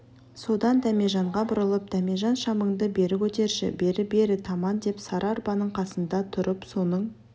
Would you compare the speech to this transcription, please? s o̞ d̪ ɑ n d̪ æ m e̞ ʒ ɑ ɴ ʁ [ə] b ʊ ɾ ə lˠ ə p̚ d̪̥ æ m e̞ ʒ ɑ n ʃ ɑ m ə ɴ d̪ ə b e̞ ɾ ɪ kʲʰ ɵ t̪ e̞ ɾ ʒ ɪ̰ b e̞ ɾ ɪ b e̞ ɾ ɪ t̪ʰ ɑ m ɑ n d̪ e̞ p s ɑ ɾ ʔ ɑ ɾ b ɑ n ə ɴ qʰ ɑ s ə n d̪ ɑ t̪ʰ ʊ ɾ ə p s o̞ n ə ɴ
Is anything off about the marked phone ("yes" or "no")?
yes